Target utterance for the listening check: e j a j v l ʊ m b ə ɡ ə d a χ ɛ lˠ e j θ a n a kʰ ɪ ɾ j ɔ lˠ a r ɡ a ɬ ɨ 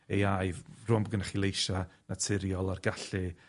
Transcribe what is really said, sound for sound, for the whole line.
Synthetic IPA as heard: e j a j v r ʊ m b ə ɡ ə n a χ i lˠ e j ʃ a n a tʰ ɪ ɾ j ɔ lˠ a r ɡ a ɬ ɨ